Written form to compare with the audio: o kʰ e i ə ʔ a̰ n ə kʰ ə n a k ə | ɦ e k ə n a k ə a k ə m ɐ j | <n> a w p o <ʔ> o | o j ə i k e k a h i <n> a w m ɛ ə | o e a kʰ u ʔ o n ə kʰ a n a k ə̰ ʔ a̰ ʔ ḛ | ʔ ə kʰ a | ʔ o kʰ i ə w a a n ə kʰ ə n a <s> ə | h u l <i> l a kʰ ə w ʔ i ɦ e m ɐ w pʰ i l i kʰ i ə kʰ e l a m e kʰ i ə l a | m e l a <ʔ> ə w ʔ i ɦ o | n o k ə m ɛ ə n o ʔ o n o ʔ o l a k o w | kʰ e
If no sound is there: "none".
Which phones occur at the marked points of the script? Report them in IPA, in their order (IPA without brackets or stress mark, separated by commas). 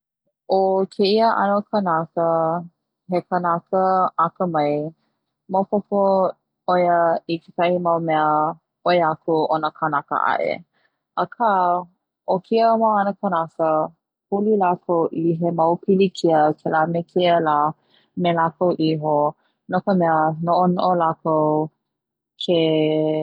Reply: m, p, m, s, i, k